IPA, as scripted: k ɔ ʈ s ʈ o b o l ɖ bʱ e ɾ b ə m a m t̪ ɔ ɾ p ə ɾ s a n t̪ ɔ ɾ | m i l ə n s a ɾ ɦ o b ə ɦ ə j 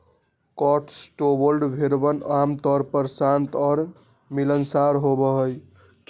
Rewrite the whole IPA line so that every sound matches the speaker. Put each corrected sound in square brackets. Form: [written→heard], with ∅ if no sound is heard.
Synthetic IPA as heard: k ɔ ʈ s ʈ o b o l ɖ bʱ e ɾ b ə [m→n] a m t̪ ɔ ɾ p ə ɾ s a n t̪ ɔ ɾ | m i l ə n s a ɾ ɦ o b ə ɦ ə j